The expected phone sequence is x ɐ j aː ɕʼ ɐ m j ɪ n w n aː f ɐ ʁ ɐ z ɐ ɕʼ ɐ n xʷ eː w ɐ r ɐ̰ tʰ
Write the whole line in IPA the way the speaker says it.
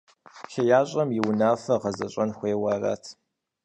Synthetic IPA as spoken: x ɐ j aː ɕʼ ɐ m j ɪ w n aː f ɐ ʁ ɐ z ɐ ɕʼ ɐ n xʷ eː w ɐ r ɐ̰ tʰ